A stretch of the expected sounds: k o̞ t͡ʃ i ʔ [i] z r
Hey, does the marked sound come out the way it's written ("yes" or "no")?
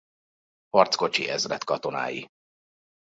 no